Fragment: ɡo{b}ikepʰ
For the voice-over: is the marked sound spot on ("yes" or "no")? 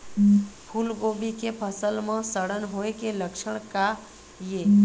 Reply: yes